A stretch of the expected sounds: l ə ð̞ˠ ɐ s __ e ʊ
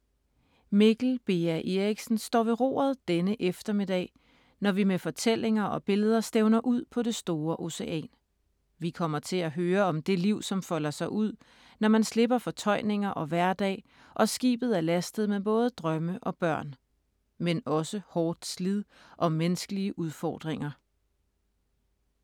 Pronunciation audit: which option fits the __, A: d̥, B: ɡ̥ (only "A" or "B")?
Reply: A